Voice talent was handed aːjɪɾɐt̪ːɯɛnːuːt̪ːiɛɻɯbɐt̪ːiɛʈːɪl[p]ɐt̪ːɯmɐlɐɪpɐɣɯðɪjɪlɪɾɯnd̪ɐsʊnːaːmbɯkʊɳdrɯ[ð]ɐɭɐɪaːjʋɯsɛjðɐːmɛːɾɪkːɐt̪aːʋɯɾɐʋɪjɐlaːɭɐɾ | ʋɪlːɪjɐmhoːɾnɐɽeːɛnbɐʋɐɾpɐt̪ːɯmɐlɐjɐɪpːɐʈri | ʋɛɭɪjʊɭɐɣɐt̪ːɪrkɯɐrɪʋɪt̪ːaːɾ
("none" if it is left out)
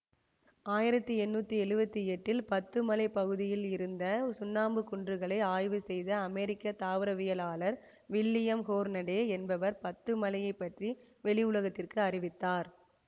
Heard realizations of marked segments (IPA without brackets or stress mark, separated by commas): p, ɣ